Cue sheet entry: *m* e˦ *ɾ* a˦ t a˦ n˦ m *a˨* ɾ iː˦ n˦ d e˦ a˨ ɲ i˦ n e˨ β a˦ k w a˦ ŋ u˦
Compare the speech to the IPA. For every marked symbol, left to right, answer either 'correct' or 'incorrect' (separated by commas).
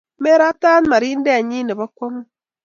correct, correct, correct